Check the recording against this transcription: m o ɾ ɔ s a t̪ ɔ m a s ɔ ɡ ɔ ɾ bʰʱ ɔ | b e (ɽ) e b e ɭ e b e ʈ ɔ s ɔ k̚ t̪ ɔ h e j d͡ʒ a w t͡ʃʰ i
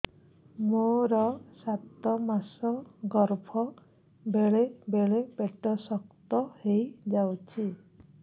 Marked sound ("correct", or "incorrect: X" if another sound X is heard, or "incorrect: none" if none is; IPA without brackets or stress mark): incorrect: ɭ